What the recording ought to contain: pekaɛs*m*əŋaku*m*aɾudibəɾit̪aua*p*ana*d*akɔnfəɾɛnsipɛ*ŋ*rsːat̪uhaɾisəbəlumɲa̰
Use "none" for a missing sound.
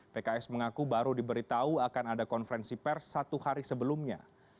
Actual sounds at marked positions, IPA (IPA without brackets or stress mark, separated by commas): m, b, k, d, none